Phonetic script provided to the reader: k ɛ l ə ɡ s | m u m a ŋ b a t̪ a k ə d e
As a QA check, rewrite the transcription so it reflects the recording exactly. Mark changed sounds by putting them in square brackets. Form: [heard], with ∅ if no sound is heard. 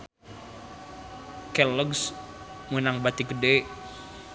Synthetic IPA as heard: k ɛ l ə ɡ s | m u [n] a ŋ b a t̪ [i] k ə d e